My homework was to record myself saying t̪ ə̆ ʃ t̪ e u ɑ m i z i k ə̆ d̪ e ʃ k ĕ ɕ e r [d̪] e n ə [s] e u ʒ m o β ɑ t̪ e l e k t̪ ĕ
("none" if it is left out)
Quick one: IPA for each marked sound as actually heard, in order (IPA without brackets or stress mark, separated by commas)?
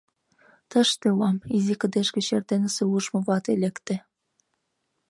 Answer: t̪, s